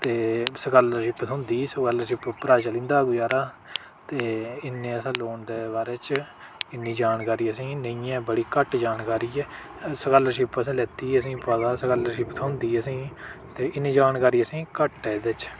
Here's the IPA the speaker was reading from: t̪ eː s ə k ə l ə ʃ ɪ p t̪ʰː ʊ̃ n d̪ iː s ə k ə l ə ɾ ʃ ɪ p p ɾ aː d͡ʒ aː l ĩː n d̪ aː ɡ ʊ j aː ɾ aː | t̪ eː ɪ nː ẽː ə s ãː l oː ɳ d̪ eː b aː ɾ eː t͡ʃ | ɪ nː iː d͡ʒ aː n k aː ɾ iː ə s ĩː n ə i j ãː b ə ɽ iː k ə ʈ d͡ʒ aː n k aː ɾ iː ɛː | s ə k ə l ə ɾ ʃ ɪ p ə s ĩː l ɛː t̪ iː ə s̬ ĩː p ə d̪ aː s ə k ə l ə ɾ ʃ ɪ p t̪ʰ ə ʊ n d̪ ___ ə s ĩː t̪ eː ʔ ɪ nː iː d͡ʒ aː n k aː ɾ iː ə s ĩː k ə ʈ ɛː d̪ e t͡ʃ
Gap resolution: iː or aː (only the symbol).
iː